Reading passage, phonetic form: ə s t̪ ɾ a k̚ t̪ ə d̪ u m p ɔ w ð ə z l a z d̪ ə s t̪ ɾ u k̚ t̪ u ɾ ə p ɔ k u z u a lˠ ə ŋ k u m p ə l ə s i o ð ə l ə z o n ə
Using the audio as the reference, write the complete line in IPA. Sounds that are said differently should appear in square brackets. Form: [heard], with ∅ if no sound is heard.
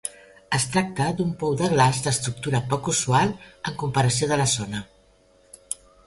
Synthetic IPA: ə s t̪ ɾ a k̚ t̪ ə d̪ u m p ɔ w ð ə [ɣ] l a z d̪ ə s t̪ ɾ u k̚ t̪ u ɾ ə p ɔ k u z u a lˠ ə ŋ k u m p ə [ɾ] ə s i o ð ə l ə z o n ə

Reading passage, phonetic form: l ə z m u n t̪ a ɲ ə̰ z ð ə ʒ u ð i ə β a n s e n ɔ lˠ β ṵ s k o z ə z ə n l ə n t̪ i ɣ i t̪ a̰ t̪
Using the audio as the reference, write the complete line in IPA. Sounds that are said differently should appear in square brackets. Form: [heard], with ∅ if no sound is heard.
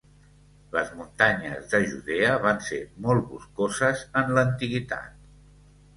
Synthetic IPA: l ə z m u n t̪ a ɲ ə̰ z ð ə ʒ u ð [e] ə β a n s e [m] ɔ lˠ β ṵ s k o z ə z ə n l ə n t̪ i ɣ i t̪ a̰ t̪

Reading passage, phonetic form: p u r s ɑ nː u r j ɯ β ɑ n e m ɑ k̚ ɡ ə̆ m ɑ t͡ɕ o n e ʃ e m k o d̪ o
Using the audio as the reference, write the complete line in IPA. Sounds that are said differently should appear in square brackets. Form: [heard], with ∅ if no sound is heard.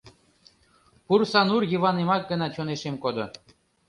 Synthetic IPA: p u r s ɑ [n] u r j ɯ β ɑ n e m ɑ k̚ ɡ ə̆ [n] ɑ t͡ɕ o n e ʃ e m k o d̪ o

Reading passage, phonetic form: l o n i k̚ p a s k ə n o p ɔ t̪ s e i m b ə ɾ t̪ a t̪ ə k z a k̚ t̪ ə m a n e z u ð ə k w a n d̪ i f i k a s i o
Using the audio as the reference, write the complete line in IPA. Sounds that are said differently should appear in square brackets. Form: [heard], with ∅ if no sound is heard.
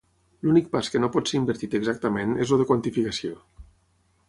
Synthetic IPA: l [u] n i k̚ p a s k ə n o p ɔ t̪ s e i m b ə ɾ t̪ [i] t̪ ə [ɡ] z a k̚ t̪ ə m [e] n e z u ð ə k w a n [t̪] i f i k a s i o

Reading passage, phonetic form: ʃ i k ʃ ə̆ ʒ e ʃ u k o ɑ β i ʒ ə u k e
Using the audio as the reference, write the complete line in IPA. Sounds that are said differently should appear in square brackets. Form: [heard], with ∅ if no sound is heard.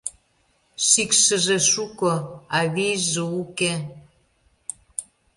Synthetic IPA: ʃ i k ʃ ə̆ ʒ e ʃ u k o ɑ β i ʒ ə u k e

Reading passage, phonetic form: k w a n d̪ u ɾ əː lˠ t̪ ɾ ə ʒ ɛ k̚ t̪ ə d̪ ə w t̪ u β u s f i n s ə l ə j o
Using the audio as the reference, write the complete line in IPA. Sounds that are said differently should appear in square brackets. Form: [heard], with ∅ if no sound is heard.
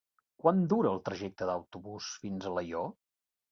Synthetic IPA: k w a n d̪ u ɾ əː lˠ t̪ ɾ ə ʒ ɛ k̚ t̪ ə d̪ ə w t̪ u β u s f i n [z] ə l ə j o

